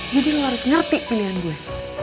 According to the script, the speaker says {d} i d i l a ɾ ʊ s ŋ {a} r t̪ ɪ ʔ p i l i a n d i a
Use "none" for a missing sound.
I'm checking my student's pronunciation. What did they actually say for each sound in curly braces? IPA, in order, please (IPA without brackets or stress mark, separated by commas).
d͡ʒ, ə